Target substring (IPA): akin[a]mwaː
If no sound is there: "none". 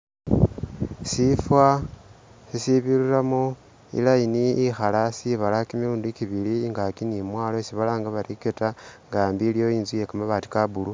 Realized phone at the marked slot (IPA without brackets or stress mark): i